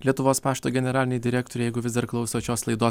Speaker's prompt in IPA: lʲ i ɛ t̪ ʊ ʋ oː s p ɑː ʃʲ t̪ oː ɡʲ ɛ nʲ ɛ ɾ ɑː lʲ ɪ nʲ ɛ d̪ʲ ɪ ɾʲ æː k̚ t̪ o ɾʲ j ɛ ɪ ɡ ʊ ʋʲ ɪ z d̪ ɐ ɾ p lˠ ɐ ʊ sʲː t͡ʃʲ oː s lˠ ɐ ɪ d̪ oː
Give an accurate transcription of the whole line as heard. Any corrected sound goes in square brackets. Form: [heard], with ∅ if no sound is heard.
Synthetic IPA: lʲ i ɛ t̪ ʊ ʋ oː s p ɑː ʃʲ t̪ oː ɡʲ ɛ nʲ ɛ ɾ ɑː lʲ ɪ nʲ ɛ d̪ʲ ɪ ɾʲ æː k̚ t̪ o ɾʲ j ɛ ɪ ɡ ʊ ʋʲ ɪ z d̪ ɐ ɾ [k] lˠ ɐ ʊ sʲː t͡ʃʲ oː s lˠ ɐ ɪ d̪ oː